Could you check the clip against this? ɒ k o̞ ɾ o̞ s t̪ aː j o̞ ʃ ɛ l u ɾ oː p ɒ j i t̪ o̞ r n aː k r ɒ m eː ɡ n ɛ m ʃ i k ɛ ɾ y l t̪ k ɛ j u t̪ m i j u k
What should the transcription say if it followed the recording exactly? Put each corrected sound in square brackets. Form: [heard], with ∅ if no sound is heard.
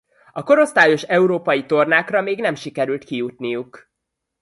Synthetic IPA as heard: ɒ k o̞ ɾ o̞ s t̪ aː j o̞ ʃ ɛ [∅] u ɾ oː p ɒ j i t̪ o̞ r n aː k r ɒ m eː ɡ n ɛ m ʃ i k ɛ ɾ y l t̪ k [i] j u t̪ [n] i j u k